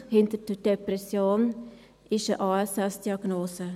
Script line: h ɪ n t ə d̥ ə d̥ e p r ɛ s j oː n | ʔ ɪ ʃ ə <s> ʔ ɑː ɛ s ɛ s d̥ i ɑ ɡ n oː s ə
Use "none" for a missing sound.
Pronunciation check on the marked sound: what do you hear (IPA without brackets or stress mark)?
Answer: none